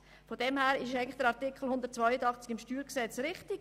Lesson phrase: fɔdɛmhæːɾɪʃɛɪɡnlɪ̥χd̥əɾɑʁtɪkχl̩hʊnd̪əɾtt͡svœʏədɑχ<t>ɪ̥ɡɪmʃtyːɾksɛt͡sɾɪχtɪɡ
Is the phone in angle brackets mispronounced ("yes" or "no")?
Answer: yes